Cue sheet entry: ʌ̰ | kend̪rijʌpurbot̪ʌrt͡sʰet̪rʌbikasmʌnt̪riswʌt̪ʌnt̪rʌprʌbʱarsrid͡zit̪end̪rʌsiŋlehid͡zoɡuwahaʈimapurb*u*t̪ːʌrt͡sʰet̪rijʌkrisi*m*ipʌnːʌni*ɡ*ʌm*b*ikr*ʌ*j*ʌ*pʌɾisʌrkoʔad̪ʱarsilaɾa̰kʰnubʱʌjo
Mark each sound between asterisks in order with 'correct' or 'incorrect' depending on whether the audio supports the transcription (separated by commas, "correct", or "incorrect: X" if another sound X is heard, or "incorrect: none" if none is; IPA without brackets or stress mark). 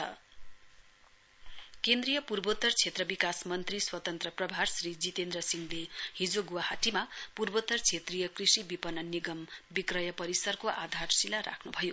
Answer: incorrect: o, incorrect: b, correct, correct, correct, correct